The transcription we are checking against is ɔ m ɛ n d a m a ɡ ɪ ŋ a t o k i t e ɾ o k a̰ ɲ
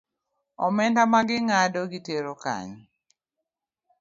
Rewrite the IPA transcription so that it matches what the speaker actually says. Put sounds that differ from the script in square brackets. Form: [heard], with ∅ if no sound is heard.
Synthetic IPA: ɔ m ɛ n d a m a ɡ ɪ ŋ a [d] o [ɡ] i t e ɾ o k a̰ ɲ